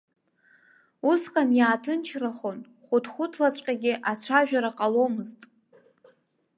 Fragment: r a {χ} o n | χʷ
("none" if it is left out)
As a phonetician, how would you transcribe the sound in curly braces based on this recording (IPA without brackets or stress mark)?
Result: χ